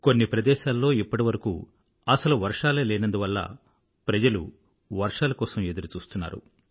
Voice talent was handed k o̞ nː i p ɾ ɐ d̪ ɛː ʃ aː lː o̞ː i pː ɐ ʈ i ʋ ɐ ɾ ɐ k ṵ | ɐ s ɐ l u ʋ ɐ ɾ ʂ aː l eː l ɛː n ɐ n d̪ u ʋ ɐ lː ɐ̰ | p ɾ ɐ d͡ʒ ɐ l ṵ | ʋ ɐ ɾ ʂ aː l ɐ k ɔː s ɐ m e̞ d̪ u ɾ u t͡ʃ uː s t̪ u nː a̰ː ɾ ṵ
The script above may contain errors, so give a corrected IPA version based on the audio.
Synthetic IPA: k o̞ nː i p ɾ ɐ d̪ ɛː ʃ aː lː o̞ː i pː ɐ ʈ i ʋ ɐ ɾ ɐ k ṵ | ɐ s ɐ l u ʋ ɐ ɾ ʂ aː l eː l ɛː n ɐ n d̪ u ʋ ɐ lː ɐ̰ | p ɾ ɐ d͡ʒ ɐ l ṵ | ʋ ɐ ɾ ʂ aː l ɐ k ɔː s ɐ m e̞ d̪ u ɾ u t͡ʃ uː s t̪ u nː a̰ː ɾ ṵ

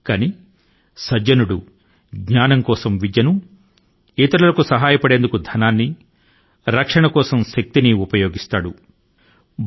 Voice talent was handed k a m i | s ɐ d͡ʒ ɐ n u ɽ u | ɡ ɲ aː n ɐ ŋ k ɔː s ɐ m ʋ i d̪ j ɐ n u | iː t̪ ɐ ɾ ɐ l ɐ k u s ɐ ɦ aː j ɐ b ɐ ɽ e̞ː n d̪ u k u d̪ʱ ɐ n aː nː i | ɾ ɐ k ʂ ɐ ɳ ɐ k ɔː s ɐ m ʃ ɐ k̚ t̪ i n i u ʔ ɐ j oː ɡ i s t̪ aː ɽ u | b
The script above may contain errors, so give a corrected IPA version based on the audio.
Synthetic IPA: k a n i | s ɐ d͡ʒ ɐ n u ɽ u | ɡ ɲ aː n ɐ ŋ k ɔː s ɐ m ʋ i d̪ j ɐ n u | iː t̪ ɐ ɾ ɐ l ɐ k u s ɐ ɦ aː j ɐ p ɐ ɽ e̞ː n d̪ u k u d̪ʱ ɐ n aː nː i | ɾ ɐ k ʂ ɐ ɳ ɐ k ɔː s ɐ m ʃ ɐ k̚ t̪ i n i u p ɐ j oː ɡ i s t̪ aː ɽ u | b

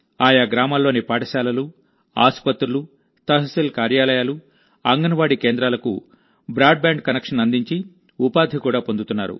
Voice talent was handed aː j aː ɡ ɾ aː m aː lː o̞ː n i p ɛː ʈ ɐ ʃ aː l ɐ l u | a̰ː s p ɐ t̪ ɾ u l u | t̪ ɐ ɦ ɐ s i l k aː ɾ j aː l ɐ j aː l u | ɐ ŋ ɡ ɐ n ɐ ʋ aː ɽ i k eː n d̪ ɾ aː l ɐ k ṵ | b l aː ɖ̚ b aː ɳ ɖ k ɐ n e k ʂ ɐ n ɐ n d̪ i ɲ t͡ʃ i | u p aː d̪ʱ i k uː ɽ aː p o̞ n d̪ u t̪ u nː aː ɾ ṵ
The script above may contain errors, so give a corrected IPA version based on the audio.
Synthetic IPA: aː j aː ɡ ɾ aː m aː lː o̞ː n i p aː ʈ ɐ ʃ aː l ɐ l u | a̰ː s p ɐ t̪ ɾ u l u | t̪ ɐ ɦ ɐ s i l k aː ɾ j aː l ɐ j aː l u | ɐ ŋ ɡ ɐ n ɐ ʋ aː ɽ i k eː n d̪ ɾ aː l ɐ k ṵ | b ɾ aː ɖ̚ b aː ɳ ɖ k ɐ n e k ʂ ɐ n ɐ n d̪ i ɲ t͡ʃ i | u p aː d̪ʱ i k uː ɽ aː p o̞ n d̪ u t̪ u nː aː ɾ ṵ

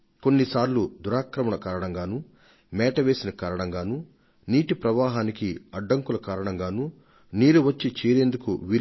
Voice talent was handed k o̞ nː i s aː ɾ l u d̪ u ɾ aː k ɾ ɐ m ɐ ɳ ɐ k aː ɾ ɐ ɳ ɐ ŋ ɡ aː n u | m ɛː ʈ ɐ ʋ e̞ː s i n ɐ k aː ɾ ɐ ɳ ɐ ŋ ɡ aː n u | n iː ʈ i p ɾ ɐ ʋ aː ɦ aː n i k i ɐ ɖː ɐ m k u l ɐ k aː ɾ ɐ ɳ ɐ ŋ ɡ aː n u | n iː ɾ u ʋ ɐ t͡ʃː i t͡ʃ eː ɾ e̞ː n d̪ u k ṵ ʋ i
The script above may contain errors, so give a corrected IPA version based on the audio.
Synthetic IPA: k o̞ nː i s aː ɾ l u d̪ u ɾ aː k ɾ ɐ m ɐ ɳ ɐ k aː ɾ ɐ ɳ ɐ ŋ ɡ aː n u | m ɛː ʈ ɐ ʋ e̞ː s i n ɐ k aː ɾ ɐ ɳ ɐ ŋ ɡ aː n u | n iː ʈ i p ɾ ɐ ʋ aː ɦ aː n i k i ɐ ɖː ɐ ŋ k u l ɐ k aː ɾ ɐ ɳ ɐ ŋ ɡ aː n u | n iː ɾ u ʋ ɐ t͡ʃː i t͡ʃ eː ɾ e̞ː n d̪ u k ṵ ʋ i

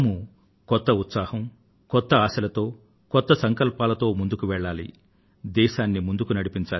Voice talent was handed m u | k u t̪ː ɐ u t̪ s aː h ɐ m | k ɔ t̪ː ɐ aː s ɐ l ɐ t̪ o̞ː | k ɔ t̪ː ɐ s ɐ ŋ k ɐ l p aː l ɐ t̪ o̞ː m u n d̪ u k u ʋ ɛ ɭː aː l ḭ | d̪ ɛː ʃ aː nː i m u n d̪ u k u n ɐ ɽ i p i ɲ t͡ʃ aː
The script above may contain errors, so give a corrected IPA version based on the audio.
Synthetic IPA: m u | k ɔ t̪ː ɐ u t̪ s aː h ɐ m | k ɔ t̪ː ɐ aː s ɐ l ɐ t̪ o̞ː | k ɔ t̪ː ɐ s ɐ ŋ k ɐ l p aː l ɐ t̪ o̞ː m u n d̪ u k u ʋ ɛ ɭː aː l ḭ | d̪ ɛː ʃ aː nː i m u n d̪ u k u n ɐ ɽ i p i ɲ t͡ʃ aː

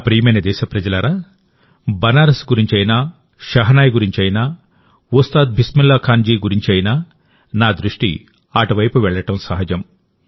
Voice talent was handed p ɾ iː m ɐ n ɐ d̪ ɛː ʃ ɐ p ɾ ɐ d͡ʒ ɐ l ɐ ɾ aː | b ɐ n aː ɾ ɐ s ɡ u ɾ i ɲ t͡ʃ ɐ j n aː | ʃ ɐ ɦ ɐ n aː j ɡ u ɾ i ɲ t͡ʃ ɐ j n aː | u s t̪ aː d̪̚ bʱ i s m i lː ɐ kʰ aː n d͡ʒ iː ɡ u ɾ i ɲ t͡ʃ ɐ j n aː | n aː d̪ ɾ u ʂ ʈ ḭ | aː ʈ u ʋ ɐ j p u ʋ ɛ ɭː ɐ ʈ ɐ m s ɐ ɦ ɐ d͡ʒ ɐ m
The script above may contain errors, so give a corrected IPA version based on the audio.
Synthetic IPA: p ɾ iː m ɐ n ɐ d̪ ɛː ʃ ɐ p ɾ ɐ d͡ʒ ɐ l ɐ ɾ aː | b ɐ n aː ɾ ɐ s ɡ u ɾ i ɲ t͡ʃ ɐ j n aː | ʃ ɐ ɦ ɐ n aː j ɡ u ɾ i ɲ t͡ʃ ɐ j n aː | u s t̪ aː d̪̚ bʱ i s m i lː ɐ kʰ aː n d͡ʒ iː ɡ u ɾ i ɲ t͡ʃ ɐ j n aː | n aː d̪ ɾ u ʂ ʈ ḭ | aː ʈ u ʋ ɐ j p u ʋ ɛ ɭː ɐ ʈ ɐ m s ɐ ɦ ɐ d͡ʒ ɐ m

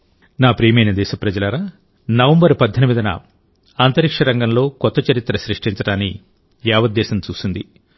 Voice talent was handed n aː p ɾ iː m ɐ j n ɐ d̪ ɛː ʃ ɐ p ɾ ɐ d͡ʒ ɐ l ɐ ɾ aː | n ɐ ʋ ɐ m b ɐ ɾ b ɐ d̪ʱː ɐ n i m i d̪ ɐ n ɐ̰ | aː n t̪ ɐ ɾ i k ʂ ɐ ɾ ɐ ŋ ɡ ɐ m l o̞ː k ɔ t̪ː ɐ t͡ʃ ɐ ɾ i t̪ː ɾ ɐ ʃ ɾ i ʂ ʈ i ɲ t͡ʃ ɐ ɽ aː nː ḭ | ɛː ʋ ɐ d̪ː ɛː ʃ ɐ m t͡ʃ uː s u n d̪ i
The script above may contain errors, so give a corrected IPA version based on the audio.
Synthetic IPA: n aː p ɾ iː m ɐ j n ɐ d̪ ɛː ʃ ɐ p ɾ ɐ d͡ʒ ɐ l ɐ ɾ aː | n ɐ ʋ ɐ m b ɐ ɾ p ɐ d̪ʱː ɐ n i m i d̪ ɐ n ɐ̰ | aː n t̪ ɐ ɾ i k ʂ ɐ ɾ ɐ ŋ ɡ ɐ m l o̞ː k ɔ t̪ː ɐ t͡ʃ ɐ ɾ i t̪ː ɾ ɐ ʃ ɾ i ʂ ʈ i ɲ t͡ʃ ɐ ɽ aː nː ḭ | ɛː ʋ ɐ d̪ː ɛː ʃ ɐ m t͡ʃ uː s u n d̪ i

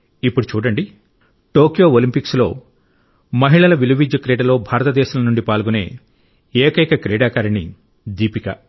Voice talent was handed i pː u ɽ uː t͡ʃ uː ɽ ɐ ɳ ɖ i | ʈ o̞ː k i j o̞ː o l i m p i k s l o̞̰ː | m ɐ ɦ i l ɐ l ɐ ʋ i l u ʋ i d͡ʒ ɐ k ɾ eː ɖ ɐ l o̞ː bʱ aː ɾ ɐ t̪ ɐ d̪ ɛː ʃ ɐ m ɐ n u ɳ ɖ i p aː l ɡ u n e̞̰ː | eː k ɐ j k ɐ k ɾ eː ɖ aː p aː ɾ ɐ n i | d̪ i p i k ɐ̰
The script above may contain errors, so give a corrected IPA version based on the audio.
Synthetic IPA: i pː u ɽ u t͡ʃ uː ɽ ɐ ɳ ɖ i | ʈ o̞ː k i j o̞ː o l i m p i k s l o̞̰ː | m ɐ ɦ i ɭ ɐ l ɐ ʋ i l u ʋ i d͡ʒ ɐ k ɾ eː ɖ ɐ l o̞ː bʱ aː ɾ ɐ t̪ ɐ d̪ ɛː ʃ ɐ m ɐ n u ɳ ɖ i p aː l ɡ u n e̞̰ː | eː k ɐ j k ɐ k ɾ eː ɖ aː k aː ɾ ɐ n i | d̪ iː p i k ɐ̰

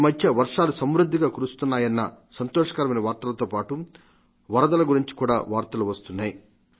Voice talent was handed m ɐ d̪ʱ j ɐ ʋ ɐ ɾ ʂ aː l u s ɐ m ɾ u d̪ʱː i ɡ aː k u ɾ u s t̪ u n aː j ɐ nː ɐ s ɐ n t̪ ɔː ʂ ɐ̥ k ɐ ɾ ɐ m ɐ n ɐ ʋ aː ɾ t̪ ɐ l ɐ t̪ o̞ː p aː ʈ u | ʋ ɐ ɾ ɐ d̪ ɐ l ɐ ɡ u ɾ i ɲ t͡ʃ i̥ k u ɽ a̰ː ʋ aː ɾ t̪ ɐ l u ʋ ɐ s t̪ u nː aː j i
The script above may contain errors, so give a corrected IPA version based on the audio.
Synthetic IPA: m ɐ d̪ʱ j ɐ ʋ ɐ ɾ ʂ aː l u s ɐ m ɾ u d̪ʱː i ɡ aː k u ɾ u s t̪ u nː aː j ɐ nː ɐ s ɐ n t̪ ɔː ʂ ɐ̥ k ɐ ɾ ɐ m ɐ n ɐ ʋ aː ɾ t̪ ɐ l ɐ t̪ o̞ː p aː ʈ u | ʋ ɐ ɾ ɐ d̪ ɐ l ɐ ɡ u ɾ i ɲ t͡ʃ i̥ k uː ɽ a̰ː ʋ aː ɾ t̪ ɐ l u ʋ ɐ s t̪ u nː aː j i

